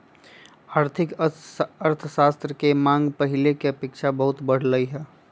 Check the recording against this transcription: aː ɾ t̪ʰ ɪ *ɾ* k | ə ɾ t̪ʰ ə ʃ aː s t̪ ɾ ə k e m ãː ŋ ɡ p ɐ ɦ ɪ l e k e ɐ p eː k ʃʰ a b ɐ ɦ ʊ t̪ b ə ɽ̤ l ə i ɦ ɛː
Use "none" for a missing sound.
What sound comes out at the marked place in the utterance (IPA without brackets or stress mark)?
none